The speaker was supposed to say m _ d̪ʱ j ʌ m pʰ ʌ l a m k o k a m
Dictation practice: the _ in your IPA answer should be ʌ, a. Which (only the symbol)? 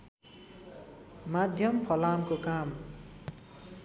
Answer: a